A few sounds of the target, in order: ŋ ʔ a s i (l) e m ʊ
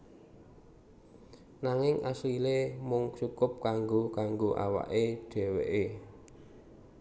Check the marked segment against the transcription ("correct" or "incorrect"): correct